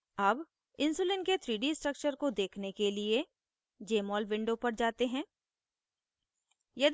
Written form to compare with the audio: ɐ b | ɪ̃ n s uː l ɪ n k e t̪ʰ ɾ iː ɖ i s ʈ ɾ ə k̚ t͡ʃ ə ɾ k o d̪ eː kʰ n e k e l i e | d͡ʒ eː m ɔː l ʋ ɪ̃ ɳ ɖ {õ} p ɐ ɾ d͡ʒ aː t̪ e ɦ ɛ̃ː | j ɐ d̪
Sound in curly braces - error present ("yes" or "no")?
yes